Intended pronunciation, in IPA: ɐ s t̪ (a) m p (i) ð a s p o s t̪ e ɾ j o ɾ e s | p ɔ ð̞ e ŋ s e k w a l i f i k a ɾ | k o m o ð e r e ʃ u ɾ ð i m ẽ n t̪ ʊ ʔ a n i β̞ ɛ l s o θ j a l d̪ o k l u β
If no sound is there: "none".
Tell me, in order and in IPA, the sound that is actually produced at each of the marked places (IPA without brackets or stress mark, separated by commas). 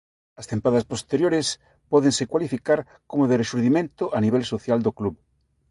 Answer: e, a